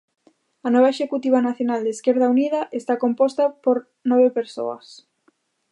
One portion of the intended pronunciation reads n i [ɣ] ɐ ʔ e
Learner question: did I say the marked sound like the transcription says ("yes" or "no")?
no